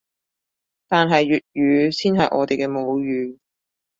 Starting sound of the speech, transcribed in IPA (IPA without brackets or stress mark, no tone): t̪